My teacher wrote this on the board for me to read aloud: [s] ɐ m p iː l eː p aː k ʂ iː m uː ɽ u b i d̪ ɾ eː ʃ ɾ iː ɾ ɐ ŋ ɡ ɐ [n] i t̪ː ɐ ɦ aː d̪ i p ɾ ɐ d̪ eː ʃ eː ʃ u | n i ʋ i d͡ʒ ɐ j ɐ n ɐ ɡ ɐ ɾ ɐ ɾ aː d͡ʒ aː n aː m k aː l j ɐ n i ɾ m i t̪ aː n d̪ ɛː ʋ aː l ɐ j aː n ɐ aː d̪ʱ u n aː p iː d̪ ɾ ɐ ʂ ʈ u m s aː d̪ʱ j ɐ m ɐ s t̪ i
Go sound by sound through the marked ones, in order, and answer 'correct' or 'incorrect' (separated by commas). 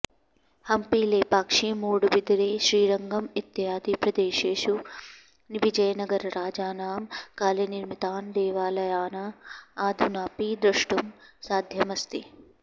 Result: incorrect, incorrect